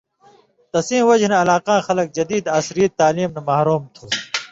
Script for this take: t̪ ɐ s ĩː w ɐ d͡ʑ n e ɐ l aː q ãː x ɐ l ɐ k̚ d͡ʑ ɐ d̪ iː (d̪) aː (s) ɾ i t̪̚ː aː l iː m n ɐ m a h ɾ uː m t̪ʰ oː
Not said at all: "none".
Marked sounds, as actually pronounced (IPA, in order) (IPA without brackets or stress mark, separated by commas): d̪, s